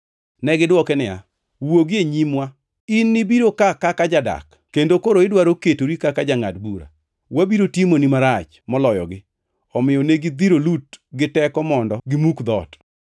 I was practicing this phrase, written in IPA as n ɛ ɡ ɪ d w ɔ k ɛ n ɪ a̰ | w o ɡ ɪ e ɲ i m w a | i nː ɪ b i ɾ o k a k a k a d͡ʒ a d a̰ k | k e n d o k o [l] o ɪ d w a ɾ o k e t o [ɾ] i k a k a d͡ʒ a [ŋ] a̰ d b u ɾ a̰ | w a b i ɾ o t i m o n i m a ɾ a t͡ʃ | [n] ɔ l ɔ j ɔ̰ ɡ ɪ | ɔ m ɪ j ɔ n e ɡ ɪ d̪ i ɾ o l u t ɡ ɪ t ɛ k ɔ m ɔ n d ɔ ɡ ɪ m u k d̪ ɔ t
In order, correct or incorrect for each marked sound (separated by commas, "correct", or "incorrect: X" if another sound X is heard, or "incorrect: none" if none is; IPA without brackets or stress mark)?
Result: incorrect: ɾ, correct, correct, incorrect: m